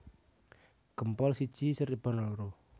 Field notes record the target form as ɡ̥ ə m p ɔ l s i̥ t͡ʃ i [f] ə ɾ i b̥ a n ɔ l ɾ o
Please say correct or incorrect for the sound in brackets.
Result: incorrect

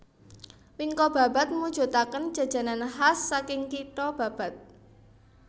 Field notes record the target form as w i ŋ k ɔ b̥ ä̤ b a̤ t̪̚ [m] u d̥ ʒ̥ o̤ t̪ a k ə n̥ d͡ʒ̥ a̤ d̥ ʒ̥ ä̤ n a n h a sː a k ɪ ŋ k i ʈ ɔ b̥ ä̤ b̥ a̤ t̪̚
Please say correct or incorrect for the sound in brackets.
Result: correct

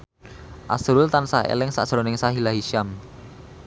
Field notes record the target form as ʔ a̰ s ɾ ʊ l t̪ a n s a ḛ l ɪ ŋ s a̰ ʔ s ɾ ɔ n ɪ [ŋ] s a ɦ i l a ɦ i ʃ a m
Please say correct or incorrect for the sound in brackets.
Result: correct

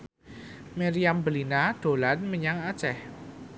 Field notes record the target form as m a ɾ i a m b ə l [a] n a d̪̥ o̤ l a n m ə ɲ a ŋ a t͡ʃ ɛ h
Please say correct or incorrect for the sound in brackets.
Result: incorrect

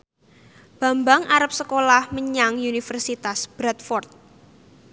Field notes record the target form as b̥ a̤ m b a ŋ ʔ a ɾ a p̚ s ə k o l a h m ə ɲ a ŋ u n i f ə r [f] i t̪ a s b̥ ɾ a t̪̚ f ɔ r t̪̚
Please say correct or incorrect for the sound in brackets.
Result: incorrect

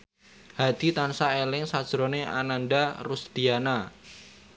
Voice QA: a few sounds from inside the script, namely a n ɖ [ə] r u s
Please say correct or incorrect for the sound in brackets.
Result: incorrect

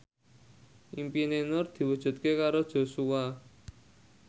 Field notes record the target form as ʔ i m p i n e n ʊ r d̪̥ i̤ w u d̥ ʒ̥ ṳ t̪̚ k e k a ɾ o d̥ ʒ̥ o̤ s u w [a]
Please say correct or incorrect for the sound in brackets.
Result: correct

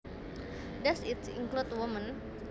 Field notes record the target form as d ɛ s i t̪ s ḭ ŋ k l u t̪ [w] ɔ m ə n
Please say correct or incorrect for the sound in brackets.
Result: correct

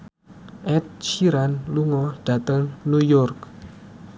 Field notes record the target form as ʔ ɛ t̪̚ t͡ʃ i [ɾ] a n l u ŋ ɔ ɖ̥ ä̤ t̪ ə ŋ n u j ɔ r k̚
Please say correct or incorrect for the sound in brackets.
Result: correct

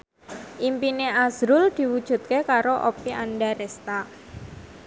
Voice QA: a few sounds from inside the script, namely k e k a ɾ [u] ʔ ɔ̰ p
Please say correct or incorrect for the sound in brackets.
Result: incorrect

